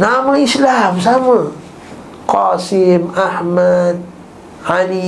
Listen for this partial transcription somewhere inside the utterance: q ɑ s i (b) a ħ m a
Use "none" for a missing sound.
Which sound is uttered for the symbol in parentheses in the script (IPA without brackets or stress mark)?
m